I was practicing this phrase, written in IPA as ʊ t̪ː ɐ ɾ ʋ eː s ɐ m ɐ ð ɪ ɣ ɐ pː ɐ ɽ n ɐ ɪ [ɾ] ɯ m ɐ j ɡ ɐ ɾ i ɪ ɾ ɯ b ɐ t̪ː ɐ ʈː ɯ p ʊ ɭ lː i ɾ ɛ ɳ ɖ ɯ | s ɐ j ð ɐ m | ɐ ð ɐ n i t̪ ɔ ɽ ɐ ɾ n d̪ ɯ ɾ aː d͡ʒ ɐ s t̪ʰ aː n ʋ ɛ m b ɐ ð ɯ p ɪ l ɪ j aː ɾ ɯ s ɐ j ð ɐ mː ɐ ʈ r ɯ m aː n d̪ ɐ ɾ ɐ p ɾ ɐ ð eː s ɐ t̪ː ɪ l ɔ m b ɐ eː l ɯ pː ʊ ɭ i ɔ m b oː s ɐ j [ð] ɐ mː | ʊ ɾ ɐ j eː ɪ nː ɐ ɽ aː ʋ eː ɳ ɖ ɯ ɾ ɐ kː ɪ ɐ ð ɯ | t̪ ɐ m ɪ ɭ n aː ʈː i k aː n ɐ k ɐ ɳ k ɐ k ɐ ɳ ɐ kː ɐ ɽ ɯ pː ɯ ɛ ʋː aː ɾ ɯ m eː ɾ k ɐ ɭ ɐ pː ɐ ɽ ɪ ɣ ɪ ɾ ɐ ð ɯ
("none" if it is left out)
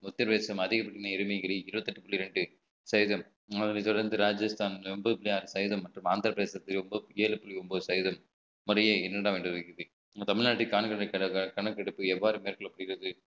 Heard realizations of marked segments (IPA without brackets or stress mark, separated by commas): ɾ, ð